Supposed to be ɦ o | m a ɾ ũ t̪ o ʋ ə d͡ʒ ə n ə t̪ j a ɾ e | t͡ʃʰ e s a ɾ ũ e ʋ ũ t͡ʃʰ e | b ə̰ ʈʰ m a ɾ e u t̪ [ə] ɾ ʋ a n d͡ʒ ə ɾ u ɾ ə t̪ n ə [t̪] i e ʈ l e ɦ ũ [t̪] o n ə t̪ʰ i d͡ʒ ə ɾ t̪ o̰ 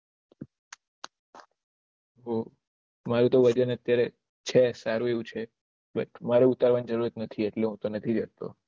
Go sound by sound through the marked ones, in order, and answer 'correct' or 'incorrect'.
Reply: incorrect: a, incorrect: t̪ʰ, correct

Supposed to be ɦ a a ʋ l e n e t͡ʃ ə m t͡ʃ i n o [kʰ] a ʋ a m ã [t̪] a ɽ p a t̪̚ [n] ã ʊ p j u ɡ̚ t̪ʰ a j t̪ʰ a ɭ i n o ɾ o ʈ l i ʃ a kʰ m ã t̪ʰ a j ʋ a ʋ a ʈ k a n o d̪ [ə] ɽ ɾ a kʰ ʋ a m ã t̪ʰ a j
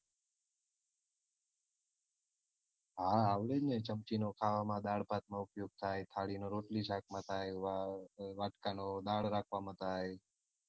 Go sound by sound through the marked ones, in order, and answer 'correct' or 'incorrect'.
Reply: correct, incorrect: d̪, incorrect: m, incorrect: a

